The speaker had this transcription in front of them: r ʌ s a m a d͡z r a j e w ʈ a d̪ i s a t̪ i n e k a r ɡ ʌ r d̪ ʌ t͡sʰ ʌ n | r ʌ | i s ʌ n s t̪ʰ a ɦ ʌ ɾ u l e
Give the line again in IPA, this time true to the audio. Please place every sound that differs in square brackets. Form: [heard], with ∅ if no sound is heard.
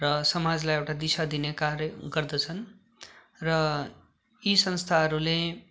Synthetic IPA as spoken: r ʌ s [ʌ] m a d͡z [l] a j e w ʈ a d̪ i s a [d̪] i n e k a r ɡ ʌ r d̪ ʌ t͡sʰ ʌ n | r ʌ | i s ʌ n s t̪ʰ a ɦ ʌ ɾ u l e